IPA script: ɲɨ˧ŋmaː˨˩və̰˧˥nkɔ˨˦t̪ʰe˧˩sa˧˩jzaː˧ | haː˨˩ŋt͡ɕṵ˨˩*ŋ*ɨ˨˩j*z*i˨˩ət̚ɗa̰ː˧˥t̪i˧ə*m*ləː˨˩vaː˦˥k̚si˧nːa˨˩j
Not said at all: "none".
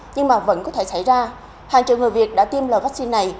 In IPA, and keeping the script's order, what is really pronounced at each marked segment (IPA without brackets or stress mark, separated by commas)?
ŋ, v, m